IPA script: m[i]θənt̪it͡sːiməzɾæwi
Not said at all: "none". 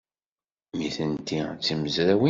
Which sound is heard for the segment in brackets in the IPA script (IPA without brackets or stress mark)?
i